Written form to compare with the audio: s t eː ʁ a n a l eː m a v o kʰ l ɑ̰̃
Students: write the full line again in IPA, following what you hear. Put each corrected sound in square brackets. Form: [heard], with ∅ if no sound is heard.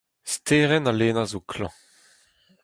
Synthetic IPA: s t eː ʁ [ɛ] n a l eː [n] a [z] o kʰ l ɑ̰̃